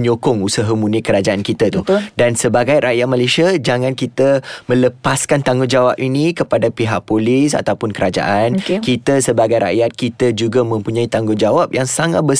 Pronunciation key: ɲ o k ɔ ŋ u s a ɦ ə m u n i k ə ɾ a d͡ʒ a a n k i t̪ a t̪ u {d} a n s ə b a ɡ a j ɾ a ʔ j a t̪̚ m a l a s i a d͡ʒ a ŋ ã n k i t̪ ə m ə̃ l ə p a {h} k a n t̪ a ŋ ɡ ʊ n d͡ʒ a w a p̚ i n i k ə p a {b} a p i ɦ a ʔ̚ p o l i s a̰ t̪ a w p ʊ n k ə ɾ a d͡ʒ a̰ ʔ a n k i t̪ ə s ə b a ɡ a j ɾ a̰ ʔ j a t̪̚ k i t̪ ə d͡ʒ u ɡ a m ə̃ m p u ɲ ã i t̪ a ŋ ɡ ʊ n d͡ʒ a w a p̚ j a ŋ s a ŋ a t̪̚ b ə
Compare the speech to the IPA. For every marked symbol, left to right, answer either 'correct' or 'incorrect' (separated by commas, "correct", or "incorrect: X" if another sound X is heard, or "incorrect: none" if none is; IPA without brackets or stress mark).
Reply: correct, incorrect: s, incorrect: d